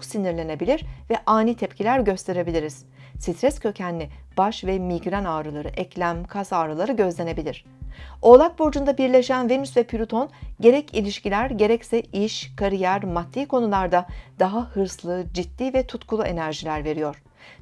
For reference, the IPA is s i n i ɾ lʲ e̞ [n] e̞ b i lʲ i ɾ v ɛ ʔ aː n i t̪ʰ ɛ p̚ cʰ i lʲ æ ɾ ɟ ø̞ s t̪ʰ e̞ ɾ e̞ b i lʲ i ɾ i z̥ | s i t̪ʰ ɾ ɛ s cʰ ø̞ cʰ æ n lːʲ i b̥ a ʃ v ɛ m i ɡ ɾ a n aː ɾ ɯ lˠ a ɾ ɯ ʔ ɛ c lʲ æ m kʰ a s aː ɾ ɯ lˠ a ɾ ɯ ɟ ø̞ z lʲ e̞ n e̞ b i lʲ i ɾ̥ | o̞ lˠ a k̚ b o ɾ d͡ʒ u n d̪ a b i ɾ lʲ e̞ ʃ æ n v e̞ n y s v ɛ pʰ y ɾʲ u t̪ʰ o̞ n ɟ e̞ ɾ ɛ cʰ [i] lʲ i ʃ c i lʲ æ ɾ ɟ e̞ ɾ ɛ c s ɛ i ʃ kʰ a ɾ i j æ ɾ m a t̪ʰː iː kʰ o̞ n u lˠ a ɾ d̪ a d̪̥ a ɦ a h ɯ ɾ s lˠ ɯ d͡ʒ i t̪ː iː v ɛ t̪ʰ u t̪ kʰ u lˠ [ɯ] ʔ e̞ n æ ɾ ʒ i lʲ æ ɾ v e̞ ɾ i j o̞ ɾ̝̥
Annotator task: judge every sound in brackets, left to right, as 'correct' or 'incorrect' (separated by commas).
correct, correct, incorrect